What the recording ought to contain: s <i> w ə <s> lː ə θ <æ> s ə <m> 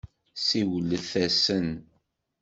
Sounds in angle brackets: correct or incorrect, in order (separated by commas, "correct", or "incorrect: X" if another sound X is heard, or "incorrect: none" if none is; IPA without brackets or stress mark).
correct, incorrect: none, correct, incorrect: n